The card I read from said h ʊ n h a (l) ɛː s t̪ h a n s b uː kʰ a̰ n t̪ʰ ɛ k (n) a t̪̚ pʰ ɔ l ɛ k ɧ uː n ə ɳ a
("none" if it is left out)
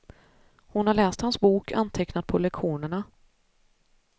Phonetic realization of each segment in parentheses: ɭ, n

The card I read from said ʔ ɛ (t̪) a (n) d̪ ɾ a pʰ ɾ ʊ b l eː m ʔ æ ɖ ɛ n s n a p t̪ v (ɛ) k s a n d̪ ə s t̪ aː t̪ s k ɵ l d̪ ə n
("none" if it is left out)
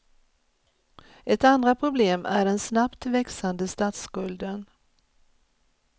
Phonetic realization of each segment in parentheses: t̪, n, ɛ

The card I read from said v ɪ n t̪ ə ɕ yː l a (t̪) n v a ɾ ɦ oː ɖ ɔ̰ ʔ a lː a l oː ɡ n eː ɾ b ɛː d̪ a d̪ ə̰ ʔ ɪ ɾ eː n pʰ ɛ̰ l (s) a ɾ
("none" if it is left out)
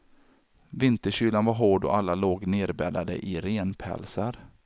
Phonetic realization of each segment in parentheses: none, s

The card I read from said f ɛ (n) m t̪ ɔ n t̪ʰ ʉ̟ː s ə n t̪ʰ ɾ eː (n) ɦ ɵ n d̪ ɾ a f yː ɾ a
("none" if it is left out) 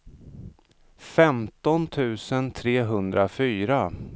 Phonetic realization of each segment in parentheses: none, none

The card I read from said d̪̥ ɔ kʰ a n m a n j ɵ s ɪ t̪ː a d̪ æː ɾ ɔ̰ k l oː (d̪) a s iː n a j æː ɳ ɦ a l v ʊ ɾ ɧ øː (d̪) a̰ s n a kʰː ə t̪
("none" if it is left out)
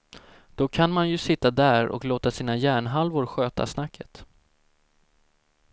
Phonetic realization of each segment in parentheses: t̪, t̪

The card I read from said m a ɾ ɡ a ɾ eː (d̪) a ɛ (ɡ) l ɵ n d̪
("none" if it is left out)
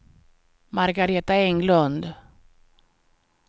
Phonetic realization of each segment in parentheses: t̪, ŋ

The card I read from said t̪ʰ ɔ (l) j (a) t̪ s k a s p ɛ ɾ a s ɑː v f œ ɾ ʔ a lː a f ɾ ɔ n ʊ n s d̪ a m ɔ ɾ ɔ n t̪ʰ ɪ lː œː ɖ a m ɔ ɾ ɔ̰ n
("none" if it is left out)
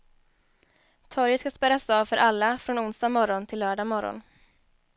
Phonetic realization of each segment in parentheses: ɾ, ə

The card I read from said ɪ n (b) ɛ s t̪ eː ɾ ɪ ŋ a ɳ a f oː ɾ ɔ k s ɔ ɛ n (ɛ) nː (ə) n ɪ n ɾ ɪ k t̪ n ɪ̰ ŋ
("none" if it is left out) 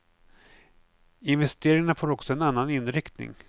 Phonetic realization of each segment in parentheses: v, a, a

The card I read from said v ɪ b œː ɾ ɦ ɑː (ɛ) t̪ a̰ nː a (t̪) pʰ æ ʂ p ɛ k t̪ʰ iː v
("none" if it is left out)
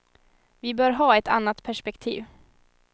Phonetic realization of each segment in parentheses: ɛ, t̪

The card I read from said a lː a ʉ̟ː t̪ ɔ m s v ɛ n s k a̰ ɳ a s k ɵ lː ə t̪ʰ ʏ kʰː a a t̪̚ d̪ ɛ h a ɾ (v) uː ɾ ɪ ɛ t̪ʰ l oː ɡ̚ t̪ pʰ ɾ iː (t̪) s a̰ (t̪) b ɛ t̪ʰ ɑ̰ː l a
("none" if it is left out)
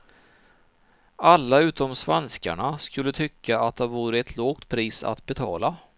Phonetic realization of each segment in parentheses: v, none, t̪

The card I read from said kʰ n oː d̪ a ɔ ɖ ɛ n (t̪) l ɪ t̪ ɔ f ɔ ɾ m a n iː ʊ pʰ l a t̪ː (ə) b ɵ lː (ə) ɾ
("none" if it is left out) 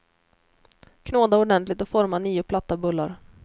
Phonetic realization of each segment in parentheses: t̪, a, a

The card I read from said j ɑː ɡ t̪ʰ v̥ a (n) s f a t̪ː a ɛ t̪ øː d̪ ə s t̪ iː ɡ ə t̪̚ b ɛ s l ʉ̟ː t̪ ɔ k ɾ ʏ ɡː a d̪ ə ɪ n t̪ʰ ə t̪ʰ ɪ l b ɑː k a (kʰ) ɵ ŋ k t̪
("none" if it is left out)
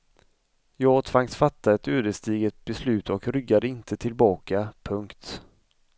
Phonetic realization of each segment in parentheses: ŋ, pʰ

